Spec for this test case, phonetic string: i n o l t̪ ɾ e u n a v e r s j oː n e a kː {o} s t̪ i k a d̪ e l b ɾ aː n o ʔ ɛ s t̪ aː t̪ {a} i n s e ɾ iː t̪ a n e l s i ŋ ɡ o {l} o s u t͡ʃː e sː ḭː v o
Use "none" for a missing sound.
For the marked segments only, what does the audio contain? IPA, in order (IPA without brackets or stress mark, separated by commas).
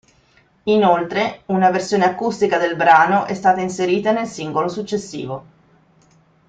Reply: u, a, l